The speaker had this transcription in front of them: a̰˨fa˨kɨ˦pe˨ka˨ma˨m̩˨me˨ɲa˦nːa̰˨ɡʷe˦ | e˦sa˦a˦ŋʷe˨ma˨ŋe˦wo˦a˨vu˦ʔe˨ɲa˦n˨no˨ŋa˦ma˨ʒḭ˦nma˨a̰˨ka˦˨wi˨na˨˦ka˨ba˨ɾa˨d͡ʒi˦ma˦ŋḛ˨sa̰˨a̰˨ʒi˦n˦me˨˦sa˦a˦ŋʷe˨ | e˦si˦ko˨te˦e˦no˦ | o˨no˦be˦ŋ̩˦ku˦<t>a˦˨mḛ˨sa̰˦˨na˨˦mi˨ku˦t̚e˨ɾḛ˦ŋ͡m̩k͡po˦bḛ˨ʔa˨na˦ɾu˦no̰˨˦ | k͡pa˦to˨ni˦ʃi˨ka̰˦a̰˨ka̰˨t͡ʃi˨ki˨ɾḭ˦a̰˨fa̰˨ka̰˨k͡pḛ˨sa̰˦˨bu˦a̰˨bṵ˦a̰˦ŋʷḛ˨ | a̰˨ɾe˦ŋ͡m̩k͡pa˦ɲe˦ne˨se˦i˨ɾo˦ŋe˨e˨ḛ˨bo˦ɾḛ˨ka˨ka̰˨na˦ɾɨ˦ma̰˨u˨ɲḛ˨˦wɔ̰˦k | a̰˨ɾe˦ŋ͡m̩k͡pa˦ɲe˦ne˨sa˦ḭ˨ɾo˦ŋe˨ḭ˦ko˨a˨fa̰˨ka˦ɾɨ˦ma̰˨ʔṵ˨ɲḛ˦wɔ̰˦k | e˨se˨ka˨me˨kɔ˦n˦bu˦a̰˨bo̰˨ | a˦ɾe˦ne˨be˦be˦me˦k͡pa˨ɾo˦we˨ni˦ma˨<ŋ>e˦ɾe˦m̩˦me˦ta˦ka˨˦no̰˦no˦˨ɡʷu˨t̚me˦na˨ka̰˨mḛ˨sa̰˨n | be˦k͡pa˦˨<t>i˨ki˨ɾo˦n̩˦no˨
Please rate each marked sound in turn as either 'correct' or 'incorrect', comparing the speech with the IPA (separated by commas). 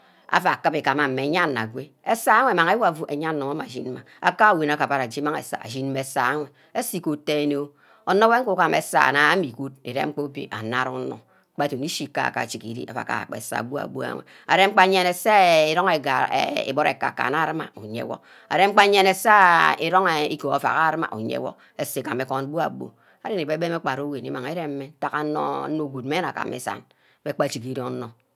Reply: incorrect, correct, incorrect